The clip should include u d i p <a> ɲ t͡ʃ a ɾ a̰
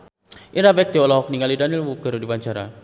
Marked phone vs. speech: correct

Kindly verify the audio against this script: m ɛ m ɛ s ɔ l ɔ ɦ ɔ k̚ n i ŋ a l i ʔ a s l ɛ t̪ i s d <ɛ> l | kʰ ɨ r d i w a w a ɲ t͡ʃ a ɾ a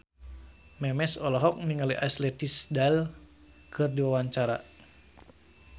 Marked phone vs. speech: incorrect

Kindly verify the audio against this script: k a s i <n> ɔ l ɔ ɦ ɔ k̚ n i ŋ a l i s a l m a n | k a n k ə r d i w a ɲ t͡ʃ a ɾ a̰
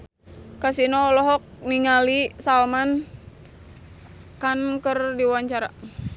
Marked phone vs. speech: correct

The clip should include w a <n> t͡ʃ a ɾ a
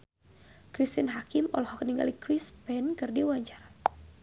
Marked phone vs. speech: incorrect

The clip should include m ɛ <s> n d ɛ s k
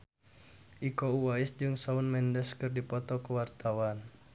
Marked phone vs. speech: incorrect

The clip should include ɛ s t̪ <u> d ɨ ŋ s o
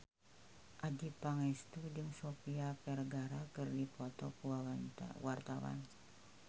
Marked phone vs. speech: correct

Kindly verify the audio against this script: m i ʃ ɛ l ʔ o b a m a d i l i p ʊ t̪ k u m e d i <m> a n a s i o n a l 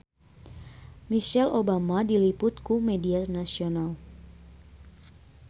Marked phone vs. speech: incorrect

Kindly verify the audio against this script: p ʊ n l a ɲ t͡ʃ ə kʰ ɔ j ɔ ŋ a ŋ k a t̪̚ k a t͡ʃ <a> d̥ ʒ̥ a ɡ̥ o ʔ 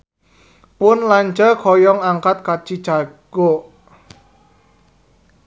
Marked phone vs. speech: incorrect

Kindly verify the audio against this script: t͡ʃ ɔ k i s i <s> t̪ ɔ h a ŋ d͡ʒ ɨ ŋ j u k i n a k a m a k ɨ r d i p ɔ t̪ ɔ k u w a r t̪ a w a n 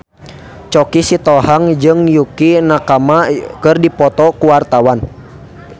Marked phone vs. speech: incorrect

